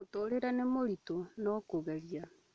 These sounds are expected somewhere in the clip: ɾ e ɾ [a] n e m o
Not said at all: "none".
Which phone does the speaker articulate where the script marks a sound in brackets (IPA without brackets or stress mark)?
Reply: a